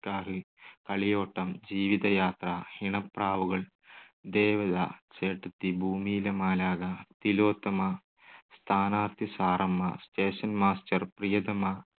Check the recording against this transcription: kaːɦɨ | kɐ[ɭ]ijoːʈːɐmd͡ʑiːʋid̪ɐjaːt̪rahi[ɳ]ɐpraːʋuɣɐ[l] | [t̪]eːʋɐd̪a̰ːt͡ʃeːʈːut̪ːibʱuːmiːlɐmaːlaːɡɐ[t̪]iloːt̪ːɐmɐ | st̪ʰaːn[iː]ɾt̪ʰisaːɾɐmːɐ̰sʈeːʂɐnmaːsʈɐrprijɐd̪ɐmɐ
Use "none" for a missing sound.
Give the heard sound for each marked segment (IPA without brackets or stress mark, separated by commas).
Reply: ɭ, ɳ, ɭ, d̪, t̪, aː